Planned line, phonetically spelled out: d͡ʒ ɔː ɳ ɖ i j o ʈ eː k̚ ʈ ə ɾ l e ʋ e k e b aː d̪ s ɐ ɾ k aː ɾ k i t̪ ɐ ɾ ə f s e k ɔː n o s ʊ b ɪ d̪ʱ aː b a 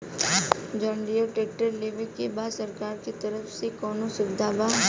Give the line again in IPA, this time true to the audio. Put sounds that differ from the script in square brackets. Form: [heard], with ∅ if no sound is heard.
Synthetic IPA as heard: d͡ʒ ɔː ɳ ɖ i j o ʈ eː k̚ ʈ ə ɾ l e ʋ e k e b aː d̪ s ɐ ɾ k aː ɾ k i t̪ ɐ ɾ ə f s e k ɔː n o s ʊ b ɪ d̪ʱ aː b a